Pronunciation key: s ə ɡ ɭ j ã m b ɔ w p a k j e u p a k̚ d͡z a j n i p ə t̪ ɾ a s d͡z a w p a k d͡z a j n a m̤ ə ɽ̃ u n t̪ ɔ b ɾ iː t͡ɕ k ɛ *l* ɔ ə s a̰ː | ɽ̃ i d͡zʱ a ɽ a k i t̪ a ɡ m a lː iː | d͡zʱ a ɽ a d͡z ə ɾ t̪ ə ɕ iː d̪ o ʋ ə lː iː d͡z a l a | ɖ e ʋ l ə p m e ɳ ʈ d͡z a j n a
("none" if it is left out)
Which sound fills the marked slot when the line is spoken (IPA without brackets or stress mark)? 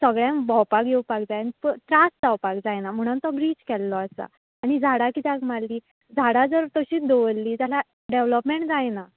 lː